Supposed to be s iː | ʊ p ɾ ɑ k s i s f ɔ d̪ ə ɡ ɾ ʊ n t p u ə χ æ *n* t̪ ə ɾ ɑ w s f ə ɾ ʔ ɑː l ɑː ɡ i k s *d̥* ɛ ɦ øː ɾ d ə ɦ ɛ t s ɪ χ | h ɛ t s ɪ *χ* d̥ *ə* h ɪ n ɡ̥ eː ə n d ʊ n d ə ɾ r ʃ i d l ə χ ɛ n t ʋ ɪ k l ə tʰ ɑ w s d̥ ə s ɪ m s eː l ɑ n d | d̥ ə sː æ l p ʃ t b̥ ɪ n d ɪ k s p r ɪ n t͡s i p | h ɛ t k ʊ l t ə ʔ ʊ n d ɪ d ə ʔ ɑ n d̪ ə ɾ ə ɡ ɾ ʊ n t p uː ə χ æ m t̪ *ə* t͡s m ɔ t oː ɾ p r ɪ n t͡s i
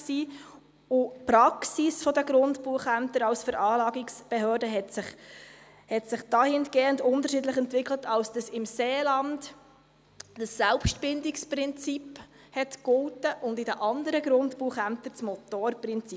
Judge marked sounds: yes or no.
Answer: no, no, yes, no, yes

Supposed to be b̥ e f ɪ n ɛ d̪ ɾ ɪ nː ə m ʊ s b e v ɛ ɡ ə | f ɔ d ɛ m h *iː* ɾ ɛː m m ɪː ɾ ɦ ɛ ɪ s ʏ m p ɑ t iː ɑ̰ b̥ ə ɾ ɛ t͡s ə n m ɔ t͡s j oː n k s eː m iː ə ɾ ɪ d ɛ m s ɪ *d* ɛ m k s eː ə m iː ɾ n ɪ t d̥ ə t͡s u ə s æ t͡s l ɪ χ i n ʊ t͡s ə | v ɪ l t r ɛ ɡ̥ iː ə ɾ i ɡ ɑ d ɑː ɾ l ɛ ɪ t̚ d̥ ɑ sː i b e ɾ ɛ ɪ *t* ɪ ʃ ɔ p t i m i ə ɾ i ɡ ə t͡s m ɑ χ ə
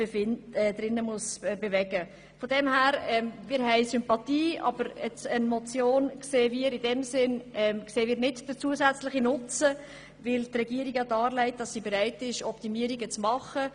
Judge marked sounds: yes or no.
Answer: no, no, yes

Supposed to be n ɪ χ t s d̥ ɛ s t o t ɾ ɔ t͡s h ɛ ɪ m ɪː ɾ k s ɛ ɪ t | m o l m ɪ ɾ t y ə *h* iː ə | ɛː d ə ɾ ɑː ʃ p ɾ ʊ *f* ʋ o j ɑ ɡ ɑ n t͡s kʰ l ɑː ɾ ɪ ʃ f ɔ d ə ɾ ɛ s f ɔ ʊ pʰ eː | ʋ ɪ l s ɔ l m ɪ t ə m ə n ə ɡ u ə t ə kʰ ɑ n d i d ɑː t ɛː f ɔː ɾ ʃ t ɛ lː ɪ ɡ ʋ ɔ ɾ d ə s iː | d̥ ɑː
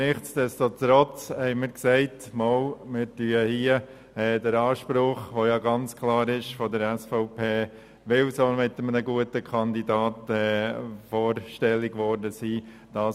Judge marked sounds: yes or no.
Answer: yes, no

